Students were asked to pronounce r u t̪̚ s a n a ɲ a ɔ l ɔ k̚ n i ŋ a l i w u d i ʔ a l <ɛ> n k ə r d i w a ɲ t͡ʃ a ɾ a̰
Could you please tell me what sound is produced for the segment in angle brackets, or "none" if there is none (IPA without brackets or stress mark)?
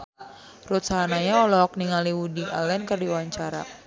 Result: ɛ